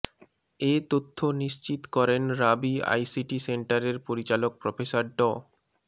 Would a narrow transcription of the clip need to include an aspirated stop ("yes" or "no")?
yes